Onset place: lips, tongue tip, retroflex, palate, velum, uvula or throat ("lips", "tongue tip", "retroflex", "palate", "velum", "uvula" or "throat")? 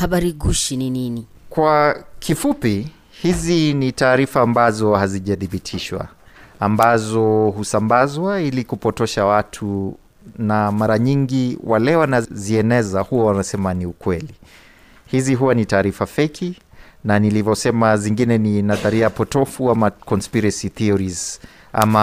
throat